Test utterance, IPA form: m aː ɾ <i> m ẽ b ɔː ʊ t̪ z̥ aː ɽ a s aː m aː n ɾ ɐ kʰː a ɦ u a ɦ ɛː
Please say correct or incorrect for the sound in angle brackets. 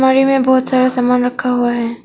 correct